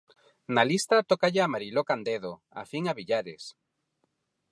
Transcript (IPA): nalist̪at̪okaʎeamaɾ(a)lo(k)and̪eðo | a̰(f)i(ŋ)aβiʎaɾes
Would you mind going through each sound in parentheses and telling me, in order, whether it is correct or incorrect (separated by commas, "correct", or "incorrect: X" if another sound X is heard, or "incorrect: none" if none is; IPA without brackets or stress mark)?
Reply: incorrect: i, correct, correct, correct